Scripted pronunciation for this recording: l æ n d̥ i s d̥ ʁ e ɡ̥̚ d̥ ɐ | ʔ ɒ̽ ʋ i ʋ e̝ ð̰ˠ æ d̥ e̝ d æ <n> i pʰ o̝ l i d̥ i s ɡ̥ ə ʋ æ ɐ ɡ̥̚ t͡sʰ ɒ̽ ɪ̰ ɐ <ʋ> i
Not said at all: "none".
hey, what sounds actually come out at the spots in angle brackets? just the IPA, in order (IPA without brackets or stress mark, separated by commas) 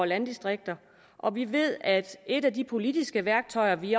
d, ʋ